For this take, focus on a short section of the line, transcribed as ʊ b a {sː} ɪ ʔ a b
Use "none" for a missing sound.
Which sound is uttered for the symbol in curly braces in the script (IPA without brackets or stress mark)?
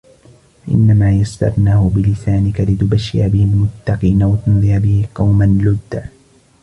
ʃː